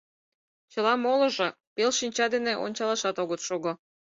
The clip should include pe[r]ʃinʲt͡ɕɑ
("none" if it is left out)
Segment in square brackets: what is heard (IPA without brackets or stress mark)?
l